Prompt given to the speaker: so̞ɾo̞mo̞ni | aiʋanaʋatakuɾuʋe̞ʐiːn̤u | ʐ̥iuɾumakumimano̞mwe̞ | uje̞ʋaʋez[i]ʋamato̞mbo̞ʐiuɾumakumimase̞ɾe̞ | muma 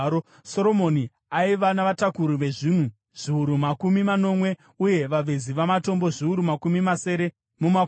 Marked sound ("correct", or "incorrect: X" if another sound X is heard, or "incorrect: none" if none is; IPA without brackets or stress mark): correct